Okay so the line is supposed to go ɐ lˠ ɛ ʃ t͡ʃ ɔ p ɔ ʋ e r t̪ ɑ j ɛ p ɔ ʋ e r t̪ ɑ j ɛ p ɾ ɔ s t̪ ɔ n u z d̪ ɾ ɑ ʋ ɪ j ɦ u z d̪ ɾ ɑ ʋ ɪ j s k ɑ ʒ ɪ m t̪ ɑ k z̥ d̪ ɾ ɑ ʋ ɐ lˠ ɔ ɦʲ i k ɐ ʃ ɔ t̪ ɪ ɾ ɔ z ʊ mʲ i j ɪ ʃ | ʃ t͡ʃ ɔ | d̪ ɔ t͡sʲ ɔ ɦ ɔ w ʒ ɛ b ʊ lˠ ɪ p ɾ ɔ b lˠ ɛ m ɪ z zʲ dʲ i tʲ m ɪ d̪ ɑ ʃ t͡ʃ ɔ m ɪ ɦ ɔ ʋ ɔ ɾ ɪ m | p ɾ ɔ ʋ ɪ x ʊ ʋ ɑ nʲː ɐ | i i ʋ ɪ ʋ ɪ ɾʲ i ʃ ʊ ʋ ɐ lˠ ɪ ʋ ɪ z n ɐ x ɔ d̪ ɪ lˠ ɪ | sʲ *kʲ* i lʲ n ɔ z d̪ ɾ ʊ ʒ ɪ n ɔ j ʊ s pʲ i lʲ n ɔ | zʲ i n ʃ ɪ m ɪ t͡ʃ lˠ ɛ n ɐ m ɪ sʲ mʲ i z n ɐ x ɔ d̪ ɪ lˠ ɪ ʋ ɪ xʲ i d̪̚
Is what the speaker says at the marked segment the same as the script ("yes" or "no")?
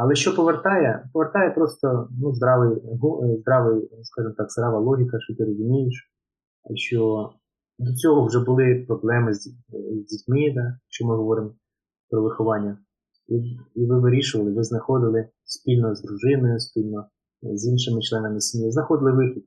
no